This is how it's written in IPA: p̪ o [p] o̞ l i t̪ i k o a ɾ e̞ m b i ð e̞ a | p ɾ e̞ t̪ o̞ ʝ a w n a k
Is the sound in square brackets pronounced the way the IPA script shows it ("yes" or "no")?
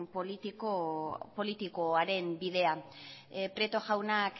yes